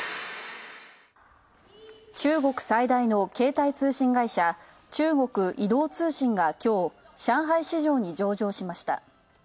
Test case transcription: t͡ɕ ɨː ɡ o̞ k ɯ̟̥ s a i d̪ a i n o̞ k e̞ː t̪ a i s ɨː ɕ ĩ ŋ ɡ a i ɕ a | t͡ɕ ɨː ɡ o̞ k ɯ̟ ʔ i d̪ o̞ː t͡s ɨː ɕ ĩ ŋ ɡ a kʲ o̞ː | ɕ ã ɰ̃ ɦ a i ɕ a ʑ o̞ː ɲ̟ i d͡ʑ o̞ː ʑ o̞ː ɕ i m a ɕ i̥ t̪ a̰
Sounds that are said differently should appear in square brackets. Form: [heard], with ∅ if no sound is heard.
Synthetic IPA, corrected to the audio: t͡ɕ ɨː ɡ o̞ k ɯ̟̥ s a i d̪ a i n o̞ k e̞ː t̪ a i [t͡s] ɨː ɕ ĩ ŋ ɡ a i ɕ a | t͡ɕ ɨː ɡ o̞ k ɯ̟ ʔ i d̪ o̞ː t͡s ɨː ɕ ĩ ŋ ɡ a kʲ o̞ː | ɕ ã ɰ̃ ɦ a i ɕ [i] ʑ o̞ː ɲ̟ i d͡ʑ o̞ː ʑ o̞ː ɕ i m a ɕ i̥ t̪ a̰